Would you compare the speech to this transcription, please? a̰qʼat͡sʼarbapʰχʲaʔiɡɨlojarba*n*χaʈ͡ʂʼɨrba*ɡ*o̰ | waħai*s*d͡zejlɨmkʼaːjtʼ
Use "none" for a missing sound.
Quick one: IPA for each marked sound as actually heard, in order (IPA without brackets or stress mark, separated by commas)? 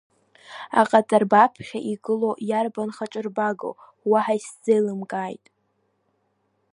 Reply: n, ɡ, s